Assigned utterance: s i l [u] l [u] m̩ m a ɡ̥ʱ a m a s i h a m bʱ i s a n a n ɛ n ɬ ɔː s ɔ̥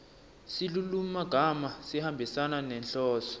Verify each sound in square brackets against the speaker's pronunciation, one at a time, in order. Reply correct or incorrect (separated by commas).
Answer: correct, correct